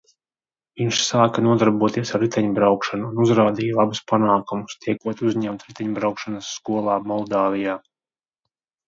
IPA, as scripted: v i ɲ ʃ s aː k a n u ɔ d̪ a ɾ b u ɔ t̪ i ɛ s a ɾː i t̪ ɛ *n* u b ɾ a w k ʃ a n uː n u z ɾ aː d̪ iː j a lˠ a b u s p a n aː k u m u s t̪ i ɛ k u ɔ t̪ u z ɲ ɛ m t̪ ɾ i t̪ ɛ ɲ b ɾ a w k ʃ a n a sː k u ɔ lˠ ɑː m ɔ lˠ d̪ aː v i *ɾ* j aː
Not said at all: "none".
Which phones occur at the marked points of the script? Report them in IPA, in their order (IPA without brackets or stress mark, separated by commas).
ɲ, none